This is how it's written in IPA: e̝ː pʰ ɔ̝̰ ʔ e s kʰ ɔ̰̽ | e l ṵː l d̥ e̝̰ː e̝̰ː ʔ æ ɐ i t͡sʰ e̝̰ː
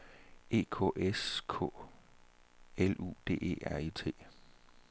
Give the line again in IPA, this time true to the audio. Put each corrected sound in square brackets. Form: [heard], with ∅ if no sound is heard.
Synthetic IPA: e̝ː [kʰ] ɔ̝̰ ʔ e s kʰ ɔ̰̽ | e l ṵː [∅] d̥ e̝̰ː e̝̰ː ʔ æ ɐ i t͡sʰ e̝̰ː